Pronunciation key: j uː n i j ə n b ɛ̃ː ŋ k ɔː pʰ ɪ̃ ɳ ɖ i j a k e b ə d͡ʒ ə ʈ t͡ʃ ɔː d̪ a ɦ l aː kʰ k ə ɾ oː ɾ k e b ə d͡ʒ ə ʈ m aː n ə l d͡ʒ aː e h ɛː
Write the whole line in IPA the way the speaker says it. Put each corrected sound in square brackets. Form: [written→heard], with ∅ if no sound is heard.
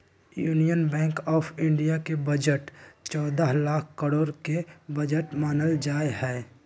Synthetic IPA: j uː n i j ə n b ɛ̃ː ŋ k ɔː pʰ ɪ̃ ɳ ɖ i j a k e b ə d͡ʒ ə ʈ t͡ʃ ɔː d̪ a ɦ l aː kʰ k ə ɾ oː ɾ k e b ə d͡ʒ ə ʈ m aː n ə l d͡ʒ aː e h ɛː